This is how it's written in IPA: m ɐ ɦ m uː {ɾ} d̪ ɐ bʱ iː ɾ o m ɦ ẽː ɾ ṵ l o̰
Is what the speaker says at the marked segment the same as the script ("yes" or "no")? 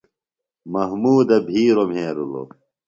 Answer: no